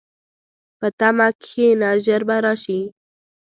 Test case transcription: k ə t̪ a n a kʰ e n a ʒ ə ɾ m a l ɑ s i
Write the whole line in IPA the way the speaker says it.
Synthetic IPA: p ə t̪ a m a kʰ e n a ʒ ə ɾ b a ɾ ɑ ʃ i